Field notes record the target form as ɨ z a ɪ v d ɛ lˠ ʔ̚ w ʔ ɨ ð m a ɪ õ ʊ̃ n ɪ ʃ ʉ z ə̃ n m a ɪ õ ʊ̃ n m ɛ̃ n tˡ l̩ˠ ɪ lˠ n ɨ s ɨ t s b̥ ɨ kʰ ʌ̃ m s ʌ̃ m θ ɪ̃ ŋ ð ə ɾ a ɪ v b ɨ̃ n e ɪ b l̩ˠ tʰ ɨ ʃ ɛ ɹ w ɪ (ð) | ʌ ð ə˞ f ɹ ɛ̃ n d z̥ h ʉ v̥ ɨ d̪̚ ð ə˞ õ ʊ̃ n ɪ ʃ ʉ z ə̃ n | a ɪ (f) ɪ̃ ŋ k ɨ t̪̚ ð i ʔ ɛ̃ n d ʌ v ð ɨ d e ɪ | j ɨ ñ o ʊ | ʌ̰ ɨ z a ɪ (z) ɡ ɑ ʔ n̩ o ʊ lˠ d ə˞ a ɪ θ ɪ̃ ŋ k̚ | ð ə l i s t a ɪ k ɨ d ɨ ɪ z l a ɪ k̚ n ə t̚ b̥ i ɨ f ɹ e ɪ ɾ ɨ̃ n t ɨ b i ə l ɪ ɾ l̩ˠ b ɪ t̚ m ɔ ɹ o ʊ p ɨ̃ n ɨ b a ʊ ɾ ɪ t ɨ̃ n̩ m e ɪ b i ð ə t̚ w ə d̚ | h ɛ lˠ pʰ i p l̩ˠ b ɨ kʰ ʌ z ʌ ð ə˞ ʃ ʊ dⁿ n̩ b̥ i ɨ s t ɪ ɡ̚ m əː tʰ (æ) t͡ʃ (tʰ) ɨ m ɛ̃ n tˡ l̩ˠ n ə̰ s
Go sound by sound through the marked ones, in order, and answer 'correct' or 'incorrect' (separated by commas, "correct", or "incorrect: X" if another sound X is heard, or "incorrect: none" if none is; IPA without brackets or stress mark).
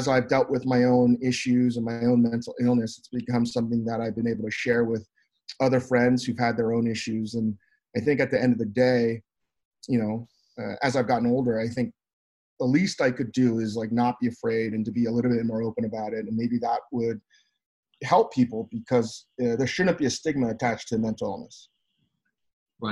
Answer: correct, incorrect: θ, incorrect: v, correct, correct